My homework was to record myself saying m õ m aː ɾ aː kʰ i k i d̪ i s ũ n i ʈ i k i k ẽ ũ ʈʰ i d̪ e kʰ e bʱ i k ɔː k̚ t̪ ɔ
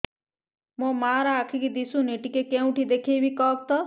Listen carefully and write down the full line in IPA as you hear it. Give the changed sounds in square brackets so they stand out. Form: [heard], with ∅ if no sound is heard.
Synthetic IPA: m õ m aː ɾ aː kʰ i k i d̪ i s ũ n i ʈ i k [e] k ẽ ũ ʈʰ i d̪ e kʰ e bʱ i k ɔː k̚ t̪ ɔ